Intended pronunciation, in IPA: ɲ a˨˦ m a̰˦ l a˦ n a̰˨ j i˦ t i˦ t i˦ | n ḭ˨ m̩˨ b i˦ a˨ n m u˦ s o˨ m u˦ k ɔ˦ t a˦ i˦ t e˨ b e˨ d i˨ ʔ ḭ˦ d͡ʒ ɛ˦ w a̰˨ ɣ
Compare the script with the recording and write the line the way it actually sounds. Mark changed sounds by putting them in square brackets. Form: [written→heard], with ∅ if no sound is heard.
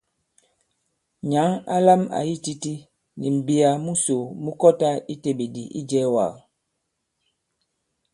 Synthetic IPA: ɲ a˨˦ [m→ŋ] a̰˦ l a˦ [n→m] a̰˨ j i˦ t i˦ t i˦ | n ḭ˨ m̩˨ b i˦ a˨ [n→∅] m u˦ s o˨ m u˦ k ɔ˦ t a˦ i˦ t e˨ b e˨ d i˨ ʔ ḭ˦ d͡ʒ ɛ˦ w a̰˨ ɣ